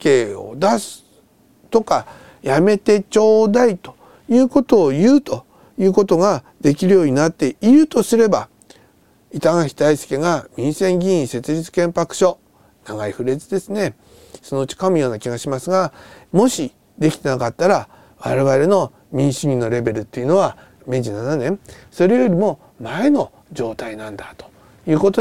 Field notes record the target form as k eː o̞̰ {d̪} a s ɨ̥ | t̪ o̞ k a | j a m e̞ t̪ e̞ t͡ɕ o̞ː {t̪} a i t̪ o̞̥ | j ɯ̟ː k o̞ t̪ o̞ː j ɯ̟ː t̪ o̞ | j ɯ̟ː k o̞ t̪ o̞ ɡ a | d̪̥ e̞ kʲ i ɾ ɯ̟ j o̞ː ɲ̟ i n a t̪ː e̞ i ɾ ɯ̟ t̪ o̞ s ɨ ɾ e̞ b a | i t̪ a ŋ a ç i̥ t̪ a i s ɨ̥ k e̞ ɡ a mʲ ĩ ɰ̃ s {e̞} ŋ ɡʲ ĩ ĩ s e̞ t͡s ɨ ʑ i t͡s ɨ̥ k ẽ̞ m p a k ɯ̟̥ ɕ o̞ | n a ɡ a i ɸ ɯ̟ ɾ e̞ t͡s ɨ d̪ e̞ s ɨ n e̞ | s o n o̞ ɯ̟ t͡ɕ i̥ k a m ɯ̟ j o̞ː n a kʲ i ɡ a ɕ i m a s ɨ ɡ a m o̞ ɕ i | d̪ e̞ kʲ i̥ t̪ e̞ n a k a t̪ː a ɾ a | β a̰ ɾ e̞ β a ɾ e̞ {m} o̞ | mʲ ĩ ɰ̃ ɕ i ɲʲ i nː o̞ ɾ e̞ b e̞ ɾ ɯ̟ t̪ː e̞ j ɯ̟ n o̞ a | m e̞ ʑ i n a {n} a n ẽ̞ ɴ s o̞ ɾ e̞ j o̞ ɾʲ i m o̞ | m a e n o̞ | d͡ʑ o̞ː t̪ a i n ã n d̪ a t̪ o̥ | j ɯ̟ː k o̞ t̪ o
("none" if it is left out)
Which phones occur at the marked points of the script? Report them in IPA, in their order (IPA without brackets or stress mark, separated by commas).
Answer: d̪, d̪, ẽ̞, n, n